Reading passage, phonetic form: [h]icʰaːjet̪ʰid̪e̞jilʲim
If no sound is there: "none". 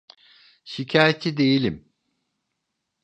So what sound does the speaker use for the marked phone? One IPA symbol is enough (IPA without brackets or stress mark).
ʃ